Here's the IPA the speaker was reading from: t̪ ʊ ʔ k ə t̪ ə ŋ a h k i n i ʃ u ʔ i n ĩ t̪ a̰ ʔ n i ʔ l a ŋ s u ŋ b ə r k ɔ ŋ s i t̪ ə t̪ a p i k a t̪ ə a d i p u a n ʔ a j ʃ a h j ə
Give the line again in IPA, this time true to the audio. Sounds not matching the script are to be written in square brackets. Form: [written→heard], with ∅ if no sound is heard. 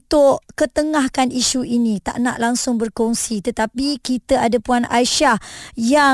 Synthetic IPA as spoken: t̪ ʊ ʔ k ə t̪ ə ŋ a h k [i→a] n i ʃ u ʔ i n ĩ t̪ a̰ ʔ n [i→a] ʔ l a ŋ s [u→ʊ] ŋ b ə r k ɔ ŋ s i t̪ ə t̪ a p i k [a→i] t̪ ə a d [i→a] p u a n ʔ a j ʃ a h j [ə→a]